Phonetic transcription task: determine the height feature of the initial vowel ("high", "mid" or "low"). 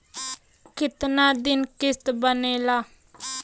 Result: high